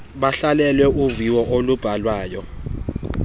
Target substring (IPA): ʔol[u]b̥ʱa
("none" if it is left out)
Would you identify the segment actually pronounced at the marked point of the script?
u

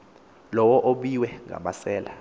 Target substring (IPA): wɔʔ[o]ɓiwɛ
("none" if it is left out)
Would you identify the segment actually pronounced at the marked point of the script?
o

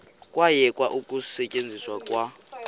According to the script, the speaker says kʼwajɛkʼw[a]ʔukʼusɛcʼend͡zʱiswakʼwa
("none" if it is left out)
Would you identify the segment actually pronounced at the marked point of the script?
a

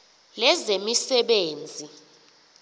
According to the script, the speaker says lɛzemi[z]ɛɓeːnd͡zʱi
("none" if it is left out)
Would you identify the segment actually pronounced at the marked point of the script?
s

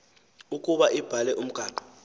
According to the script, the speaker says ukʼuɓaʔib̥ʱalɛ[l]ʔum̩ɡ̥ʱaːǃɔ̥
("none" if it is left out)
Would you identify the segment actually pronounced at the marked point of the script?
none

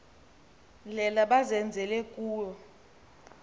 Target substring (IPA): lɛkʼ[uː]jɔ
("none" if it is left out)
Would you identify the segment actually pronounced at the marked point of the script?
uː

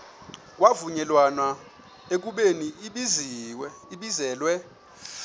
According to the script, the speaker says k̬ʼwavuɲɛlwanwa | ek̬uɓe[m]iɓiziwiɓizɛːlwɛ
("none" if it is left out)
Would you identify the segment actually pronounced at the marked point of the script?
n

